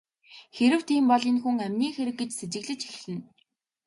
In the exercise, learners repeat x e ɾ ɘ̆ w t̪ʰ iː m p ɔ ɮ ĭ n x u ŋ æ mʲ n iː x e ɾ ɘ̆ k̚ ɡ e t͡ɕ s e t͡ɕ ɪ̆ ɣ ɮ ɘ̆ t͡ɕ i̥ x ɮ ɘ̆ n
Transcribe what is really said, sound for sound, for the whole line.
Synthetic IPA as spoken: x e ɾ ɘ̆ w t̪ʰ iː m p ɔ ɮ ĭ n x u ŋ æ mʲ n iː x e ɾ ɘ̆ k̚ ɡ e t͡ɕ s e t͡ɕ ɪ̆ ɣ ɮ ɘ̆ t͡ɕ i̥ x ɮ ɘ̆ n